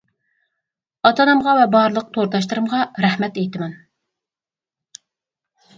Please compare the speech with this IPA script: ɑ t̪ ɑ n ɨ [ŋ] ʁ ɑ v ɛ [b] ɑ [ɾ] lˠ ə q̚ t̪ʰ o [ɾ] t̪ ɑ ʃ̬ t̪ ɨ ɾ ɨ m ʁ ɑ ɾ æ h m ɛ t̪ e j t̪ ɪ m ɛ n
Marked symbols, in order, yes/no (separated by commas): no, yes, yes, yes